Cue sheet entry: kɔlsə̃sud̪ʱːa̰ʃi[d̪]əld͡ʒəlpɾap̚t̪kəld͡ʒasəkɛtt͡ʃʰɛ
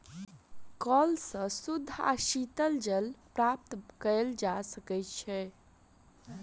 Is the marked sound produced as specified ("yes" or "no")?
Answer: no